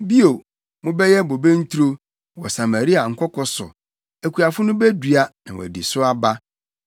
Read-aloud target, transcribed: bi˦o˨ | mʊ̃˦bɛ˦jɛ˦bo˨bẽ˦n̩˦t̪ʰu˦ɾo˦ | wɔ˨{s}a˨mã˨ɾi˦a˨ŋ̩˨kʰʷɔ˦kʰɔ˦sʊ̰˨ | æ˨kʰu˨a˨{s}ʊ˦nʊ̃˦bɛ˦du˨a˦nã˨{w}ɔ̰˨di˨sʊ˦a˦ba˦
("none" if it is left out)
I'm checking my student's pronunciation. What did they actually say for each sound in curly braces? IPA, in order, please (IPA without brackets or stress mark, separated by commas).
s, f, w